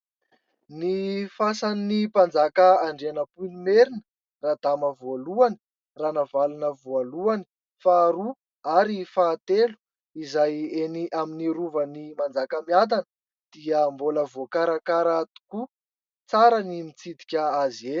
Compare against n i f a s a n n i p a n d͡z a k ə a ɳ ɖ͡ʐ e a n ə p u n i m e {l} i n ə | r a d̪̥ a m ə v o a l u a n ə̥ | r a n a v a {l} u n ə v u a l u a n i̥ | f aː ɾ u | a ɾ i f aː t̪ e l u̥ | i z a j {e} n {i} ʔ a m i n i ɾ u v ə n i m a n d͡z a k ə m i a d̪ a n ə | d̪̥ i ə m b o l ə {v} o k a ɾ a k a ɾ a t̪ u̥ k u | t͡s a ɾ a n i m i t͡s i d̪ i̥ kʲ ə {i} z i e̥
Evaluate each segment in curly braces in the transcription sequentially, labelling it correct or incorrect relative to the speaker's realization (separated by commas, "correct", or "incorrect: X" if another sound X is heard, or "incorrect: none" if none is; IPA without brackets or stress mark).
incorrect: ɾ, correct, correct, correct, correct, incorrect: a